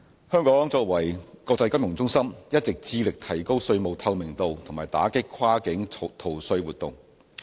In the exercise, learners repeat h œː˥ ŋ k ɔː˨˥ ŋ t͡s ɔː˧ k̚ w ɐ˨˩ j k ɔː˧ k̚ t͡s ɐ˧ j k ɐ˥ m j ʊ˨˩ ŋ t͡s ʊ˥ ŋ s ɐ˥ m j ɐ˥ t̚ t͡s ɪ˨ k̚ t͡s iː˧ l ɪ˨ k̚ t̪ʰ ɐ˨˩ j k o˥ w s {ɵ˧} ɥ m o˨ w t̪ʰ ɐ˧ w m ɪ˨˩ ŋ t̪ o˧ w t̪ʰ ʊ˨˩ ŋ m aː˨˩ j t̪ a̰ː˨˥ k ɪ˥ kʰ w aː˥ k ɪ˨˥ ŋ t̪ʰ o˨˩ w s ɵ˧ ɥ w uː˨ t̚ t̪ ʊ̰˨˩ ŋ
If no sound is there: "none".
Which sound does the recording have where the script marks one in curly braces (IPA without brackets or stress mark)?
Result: ɵ˧